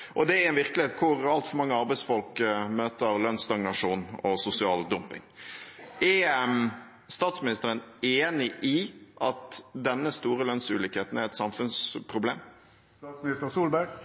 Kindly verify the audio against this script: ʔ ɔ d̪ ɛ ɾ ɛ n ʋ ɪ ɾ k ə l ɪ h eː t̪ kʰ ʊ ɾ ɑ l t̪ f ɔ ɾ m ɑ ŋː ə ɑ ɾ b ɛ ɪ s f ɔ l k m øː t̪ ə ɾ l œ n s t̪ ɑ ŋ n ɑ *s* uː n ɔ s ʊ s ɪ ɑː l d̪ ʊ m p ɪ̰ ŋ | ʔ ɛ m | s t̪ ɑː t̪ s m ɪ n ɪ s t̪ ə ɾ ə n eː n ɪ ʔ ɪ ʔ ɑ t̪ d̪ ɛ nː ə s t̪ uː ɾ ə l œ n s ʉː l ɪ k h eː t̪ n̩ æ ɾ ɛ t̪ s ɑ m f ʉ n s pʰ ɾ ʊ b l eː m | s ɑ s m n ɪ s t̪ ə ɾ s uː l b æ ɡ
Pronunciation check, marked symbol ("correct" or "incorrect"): incorrect